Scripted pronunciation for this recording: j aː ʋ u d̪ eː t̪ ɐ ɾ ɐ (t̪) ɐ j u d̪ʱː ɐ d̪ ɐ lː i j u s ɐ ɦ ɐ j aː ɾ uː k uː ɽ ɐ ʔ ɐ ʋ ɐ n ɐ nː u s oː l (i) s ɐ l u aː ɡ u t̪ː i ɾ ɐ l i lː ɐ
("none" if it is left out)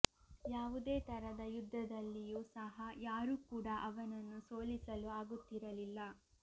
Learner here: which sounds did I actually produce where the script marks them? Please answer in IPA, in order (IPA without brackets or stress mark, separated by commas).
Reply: d̪, i